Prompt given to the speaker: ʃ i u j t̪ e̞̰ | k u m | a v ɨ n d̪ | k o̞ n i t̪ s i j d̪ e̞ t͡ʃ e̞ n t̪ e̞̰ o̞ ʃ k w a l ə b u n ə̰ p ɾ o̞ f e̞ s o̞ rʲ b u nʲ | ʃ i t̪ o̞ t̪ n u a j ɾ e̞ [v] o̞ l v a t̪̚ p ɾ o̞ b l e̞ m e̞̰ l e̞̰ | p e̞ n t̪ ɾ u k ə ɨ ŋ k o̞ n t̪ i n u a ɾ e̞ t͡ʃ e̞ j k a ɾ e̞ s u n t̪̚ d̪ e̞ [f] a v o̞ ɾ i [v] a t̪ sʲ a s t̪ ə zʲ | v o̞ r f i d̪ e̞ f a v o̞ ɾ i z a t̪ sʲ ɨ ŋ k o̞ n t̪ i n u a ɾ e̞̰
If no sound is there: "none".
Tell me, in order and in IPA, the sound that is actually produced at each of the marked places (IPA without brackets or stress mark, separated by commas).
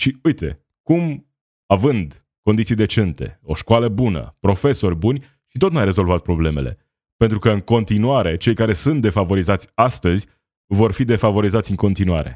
z, f, z